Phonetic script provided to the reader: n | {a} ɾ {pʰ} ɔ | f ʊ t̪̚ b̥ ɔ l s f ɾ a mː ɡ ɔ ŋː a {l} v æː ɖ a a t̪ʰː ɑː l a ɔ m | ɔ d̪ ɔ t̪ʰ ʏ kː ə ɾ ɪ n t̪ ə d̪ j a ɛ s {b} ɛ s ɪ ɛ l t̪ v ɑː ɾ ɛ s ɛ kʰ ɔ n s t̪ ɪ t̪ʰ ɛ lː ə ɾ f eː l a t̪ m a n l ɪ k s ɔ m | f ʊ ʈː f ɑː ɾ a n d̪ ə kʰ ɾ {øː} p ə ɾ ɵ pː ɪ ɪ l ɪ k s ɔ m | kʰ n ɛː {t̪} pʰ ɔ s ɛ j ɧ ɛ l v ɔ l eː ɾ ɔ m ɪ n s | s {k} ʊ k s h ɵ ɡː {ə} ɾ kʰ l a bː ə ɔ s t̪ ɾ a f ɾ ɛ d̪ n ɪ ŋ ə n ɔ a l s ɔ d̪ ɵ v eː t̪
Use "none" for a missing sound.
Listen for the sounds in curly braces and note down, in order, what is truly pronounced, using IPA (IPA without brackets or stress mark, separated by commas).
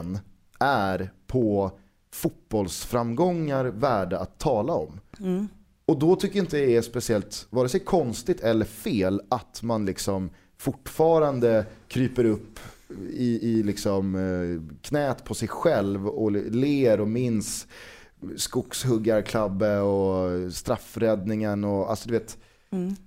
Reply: æ, pʰ, ɾ, p, yː, t̪, k, a